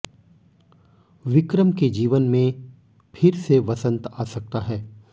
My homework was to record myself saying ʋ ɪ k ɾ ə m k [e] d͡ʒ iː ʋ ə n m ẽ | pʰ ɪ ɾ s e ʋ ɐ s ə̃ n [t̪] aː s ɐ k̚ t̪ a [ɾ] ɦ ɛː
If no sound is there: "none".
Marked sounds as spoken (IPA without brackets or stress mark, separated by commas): e, t̪, none